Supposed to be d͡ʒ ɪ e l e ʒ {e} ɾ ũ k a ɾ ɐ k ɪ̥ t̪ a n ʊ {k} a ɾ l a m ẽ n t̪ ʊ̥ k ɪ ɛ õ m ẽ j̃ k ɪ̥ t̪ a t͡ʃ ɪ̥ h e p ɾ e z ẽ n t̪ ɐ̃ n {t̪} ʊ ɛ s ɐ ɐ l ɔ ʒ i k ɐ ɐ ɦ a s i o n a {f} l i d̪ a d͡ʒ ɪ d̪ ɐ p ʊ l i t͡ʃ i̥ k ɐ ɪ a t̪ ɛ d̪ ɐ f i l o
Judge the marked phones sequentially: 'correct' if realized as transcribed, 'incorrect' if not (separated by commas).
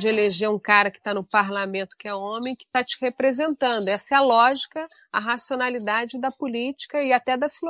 correct, incorrect, incorrect, incorrect